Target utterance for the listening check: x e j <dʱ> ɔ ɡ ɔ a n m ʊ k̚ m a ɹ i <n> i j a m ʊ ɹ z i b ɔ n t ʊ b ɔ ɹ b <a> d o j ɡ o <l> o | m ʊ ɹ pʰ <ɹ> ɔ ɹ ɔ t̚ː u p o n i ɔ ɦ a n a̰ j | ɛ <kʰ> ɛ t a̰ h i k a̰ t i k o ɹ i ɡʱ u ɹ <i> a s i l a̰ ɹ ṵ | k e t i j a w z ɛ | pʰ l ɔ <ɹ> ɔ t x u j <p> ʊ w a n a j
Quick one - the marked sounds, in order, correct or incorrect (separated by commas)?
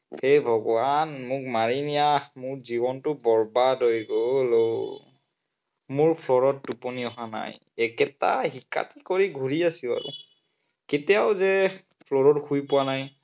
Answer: incorrect, correct, correct, correct, incorrect, incorrect, correct, correct, correct